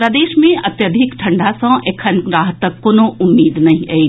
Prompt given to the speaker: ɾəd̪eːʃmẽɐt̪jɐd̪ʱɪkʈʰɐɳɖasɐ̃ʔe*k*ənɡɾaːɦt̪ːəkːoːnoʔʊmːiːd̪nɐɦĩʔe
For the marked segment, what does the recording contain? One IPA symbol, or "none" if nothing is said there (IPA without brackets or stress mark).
kʰ